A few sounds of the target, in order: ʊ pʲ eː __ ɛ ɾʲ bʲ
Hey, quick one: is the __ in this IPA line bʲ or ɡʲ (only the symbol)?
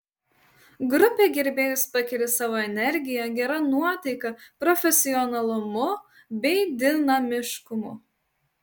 ɡʲ